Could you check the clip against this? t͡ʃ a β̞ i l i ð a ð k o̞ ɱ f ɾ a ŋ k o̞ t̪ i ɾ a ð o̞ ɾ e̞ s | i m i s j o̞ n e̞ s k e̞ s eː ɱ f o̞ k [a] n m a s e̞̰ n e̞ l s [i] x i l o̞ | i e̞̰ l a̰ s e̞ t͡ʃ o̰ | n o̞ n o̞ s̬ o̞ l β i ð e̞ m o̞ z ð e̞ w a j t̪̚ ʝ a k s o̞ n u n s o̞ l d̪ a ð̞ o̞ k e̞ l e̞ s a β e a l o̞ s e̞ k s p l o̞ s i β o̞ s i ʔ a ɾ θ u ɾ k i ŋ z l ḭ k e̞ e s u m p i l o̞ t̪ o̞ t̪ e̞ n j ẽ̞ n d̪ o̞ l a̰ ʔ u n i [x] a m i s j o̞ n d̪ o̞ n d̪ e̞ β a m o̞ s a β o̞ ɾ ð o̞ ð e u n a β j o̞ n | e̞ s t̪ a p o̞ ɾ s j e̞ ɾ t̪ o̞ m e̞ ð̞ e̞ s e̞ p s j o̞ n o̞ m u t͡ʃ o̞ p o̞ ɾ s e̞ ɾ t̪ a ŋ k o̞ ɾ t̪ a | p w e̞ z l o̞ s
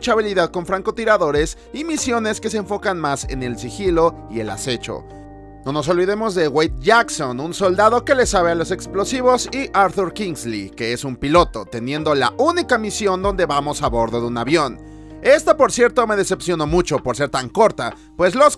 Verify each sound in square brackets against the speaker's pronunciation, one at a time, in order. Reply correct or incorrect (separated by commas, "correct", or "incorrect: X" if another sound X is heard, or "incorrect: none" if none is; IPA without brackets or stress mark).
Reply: correct, correct, incorrect: k